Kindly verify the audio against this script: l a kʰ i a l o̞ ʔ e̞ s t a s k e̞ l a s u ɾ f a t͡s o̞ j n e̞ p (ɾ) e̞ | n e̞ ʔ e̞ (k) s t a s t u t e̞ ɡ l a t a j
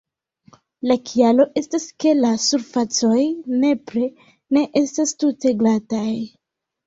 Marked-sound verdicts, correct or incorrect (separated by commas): correct, incorrect